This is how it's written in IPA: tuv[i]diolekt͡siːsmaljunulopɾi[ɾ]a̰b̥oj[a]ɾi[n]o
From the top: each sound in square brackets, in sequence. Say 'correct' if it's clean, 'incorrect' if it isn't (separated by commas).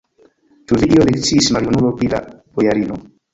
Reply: correct, incorrect, correct, correct